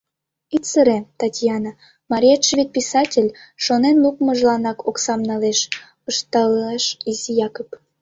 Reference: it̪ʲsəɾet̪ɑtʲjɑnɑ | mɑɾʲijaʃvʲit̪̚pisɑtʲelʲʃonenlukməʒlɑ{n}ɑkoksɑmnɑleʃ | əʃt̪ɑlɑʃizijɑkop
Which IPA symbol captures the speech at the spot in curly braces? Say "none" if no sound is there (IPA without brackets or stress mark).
n